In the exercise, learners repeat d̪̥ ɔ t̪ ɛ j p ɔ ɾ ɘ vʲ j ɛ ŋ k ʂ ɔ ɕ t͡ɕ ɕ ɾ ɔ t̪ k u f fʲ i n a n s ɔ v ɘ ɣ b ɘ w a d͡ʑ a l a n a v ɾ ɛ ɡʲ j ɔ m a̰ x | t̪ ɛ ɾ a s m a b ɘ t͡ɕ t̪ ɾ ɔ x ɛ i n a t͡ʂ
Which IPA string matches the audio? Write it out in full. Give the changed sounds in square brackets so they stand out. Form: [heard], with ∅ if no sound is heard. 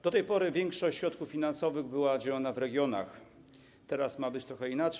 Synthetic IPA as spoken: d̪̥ ɔ t̪ ɛ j p ɔ ɾ ɘ vʲ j ɛ ŋ k ʂ ɔ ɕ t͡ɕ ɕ ɾ ɔ t̪ k u f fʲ i n a n s ɔ v ɘ ɣ b ɘ w a d͡ʑ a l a n a v ɾ ɛ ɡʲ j ɔ [n] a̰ x | t̪ ɛ ɾ a s m a b ɘ t͡ɕ t̪ ɾ ɔ x ɛ i n a t͡ʂ